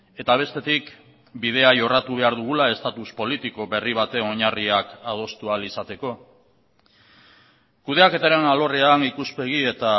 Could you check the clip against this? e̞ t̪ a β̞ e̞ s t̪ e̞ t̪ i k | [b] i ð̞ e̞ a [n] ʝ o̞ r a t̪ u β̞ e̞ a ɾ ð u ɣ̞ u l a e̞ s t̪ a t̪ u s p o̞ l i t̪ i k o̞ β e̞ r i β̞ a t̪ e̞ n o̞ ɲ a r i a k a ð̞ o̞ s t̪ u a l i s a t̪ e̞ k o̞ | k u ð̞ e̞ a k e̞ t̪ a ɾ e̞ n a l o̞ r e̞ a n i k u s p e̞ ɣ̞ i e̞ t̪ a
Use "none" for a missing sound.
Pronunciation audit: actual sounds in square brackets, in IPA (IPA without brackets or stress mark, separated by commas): b, none